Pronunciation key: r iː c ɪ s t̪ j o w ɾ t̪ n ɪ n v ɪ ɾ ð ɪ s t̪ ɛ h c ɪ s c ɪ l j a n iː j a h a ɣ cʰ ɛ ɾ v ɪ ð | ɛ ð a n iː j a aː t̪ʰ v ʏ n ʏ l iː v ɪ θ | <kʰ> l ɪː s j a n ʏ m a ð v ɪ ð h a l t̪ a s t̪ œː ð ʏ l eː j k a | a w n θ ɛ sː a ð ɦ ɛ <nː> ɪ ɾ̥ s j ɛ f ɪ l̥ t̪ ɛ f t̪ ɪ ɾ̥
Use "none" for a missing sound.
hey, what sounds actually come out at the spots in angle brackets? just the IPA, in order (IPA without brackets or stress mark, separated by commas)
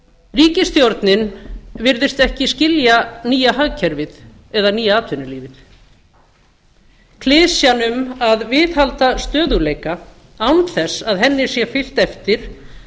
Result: kʰ, nː